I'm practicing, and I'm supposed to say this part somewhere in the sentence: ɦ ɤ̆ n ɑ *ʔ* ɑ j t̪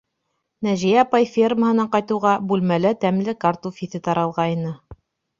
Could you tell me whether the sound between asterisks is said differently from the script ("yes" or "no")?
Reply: yes